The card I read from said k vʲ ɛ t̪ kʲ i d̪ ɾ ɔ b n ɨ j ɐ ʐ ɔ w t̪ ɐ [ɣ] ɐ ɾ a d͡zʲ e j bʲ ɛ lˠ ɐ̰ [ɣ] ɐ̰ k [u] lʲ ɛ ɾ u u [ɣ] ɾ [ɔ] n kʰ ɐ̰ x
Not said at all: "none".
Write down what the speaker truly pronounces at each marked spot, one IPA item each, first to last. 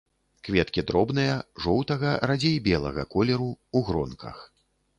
ɣ, ɣ, ɔ, ɣ, ɔ

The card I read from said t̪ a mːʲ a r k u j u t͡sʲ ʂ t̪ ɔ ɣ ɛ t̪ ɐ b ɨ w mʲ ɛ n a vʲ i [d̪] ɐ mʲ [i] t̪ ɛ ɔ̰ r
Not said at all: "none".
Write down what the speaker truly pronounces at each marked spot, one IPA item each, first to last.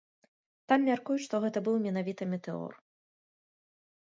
t̪, ɛ

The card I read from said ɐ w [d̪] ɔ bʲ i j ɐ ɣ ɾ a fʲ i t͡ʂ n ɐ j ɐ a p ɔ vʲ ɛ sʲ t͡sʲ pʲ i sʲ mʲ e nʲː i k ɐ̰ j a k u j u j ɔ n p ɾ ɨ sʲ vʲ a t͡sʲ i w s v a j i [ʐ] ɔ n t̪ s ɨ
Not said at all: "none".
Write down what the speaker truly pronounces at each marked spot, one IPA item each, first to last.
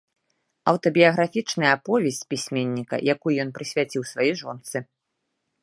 t̪, ʐ

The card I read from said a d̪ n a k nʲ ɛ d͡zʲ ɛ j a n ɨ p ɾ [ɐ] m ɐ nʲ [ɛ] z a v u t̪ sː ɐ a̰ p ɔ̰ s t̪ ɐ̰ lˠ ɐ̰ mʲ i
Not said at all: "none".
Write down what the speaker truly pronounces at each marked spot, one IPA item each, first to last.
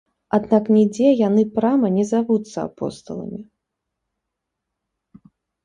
a, ɛ

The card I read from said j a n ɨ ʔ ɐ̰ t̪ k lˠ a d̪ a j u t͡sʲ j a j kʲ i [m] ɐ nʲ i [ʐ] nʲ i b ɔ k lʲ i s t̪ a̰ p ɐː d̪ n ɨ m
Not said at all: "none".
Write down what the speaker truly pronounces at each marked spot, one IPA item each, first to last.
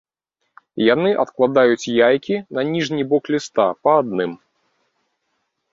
n, ʐ

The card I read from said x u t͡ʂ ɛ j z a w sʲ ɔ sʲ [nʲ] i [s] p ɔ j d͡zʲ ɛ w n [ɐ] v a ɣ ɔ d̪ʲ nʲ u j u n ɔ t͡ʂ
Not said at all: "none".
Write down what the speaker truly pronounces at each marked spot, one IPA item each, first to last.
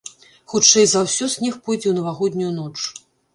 nʲ, x, ɐ

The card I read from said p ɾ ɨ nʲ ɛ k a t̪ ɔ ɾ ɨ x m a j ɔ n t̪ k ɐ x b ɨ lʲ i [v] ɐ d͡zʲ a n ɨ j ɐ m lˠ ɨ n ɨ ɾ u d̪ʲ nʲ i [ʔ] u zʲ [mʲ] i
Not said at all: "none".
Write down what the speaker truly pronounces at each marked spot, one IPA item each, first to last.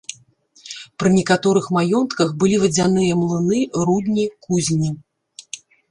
v, k, nʲ

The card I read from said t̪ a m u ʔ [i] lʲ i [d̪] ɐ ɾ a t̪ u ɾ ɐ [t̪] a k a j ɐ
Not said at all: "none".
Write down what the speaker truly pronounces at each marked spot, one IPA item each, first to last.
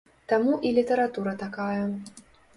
i, t̪, t̪

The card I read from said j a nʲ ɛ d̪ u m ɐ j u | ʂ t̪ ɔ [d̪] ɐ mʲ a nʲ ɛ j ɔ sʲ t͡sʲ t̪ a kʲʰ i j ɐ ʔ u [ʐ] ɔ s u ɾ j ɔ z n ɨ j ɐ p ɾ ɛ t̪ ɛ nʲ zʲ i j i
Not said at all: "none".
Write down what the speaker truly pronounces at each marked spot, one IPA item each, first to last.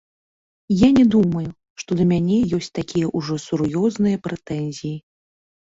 d̪, ʐ

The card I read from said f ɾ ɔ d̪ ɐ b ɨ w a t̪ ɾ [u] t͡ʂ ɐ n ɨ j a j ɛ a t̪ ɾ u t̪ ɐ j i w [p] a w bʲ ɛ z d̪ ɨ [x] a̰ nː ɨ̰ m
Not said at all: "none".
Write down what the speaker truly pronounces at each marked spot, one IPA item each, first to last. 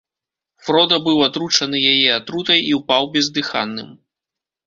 u, p, x

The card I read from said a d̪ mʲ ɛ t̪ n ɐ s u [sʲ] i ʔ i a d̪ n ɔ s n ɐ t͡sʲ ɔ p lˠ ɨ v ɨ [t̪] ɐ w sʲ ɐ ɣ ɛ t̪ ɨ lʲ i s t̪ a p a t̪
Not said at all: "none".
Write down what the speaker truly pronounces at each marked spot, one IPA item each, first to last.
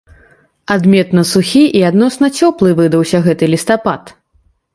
xʲ, d̪

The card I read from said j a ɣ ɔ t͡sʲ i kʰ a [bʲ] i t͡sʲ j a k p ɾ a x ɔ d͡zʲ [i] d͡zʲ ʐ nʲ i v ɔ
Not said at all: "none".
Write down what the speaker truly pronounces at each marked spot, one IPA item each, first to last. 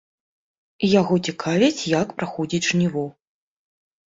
vʲ, i

